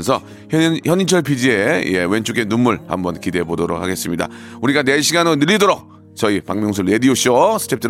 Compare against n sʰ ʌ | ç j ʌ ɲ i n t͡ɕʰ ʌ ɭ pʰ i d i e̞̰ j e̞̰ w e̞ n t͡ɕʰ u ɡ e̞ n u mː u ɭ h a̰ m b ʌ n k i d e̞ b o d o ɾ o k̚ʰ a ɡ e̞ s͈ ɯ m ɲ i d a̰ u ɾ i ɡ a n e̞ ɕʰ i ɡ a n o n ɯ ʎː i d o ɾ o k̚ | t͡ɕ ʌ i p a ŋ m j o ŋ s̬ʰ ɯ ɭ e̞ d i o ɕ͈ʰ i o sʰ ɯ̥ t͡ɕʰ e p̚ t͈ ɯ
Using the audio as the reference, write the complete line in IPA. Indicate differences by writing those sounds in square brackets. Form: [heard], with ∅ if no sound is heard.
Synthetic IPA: n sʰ ʌ | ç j ʌ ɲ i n t͡ɕʰ ʌ ɭ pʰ i [d͡ʑ] i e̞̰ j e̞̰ w e̞ n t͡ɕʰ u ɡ e̞ n u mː u ɭ h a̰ m b ʌ n k i d e̞ b o d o ɾ o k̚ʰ a ɡ e̞ s͈ ɯ m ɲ i d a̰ u ɾ i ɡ a n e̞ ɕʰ i ɡ a n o n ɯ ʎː i d o ɾ o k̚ | t͡ɕ ʌ i p a ŋ m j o ŋ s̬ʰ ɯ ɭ e̞ d i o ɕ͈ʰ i o sʰ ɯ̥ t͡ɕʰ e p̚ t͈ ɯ